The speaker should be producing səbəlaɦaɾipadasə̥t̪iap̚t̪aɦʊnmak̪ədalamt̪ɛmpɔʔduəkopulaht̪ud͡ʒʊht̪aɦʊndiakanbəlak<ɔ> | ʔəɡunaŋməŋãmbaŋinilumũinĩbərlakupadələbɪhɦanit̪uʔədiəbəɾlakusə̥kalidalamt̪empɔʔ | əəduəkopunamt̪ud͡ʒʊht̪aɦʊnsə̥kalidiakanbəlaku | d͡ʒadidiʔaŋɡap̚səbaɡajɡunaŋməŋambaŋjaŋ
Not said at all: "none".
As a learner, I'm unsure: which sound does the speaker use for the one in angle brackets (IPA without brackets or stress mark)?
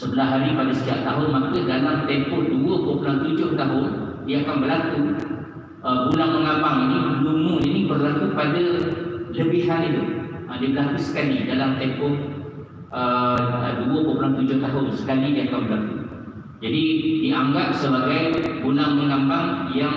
u